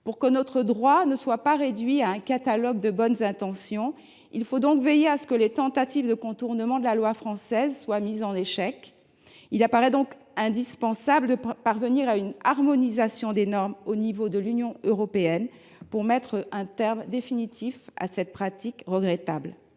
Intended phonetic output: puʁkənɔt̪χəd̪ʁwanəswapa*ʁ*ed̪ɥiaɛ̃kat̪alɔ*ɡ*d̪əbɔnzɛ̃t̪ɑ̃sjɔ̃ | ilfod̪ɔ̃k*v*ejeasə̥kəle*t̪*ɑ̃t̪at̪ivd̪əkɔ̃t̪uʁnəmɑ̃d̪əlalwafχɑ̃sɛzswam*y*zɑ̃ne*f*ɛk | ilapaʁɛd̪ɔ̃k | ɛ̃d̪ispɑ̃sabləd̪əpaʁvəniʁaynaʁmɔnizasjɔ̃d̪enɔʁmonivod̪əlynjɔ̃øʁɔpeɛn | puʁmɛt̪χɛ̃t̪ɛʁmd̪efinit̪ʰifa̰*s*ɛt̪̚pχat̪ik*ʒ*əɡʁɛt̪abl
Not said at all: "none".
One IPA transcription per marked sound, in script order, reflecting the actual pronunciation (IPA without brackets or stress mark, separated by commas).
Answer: ʁ, ɡ, v, t̪, i, ʃ, s, ʁ